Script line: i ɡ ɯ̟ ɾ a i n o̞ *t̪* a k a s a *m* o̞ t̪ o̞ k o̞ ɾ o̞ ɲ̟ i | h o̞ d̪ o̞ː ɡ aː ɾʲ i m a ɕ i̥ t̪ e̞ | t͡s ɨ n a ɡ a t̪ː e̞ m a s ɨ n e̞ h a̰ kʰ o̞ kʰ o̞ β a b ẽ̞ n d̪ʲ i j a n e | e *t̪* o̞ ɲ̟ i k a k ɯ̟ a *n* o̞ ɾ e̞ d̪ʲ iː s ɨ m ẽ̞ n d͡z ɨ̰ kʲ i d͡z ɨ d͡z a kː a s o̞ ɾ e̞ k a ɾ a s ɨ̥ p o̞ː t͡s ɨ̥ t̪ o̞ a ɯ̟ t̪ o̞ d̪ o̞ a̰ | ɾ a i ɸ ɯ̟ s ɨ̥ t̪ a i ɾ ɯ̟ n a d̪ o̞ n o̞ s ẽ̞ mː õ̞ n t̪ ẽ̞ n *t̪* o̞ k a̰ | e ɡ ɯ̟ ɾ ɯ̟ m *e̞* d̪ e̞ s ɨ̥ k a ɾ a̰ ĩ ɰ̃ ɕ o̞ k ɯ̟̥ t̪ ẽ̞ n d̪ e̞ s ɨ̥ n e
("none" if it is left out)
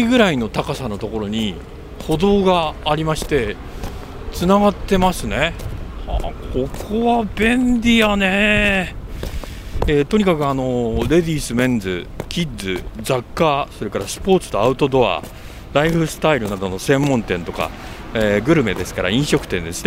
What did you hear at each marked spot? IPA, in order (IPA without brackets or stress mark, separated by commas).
t̪, n, t̪, n, t̪, e̞